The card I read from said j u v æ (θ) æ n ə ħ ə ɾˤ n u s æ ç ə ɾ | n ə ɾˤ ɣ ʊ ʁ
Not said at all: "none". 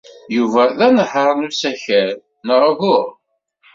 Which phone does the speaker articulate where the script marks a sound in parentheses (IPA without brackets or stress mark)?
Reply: ð